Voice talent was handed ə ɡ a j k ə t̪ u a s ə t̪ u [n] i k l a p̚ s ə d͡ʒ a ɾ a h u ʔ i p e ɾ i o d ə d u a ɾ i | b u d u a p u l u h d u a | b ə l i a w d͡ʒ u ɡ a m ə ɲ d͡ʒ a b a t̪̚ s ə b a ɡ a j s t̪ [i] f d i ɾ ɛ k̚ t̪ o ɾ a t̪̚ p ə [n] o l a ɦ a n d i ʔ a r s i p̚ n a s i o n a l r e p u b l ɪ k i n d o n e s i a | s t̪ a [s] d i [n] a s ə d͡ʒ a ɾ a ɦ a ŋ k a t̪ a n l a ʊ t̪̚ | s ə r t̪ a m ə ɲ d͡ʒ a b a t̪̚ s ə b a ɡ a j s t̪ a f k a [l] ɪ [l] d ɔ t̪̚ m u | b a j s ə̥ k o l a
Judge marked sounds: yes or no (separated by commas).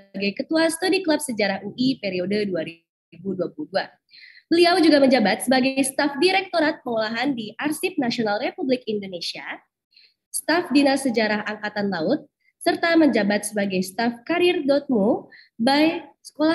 no, no, no, no, yes, no, no